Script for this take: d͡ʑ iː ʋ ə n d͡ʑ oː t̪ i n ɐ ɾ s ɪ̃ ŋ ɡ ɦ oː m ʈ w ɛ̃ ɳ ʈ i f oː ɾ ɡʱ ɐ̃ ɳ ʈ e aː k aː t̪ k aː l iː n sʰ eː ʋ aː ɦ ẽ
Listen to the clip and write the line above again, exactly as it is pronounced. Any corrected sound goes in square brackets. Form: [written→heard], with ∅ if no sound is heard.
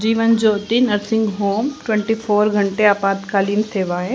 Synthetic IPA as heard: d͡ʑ iː ʋ ə n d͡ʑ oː t̪ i n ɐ ɾ s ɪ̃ ŋ ɡ ɦ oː m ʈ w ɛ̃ ɳ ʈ i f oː ɾ ɡʱ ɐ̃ ɳ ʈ e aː [k→p] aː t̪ k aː l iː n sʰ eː ʋ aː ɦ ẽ